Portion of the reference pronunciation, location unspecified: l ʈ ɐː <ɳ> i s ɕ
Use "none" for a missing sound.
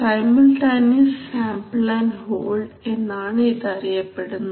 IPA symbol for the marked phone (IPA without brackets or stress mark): n